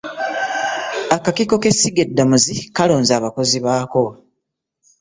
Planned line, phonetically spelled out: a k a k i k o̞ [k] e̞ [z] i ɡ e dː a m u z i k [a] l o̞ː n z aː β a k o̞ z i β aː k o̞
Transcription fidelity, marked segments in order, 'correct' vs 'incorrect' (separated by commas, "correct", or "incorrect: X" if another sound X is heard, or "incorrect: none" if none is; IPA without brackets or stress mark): correct, incorrect: s, correct